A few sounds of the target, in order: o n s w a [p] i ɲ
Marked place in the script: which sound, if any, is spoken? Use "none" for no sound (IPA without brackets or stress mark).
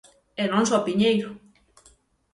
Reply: p